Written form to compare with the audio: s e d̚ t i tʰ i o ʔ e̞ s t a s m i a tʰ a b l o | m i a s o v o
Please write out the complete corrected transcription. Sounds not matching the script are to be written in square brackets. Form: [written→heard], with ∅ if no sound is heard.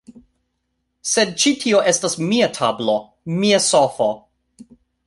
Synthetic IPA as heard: s e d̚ [t→t͡ʃ] i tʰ i o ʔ e̞ s t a s m i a tʰ a b l o | m i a s o [v→f] o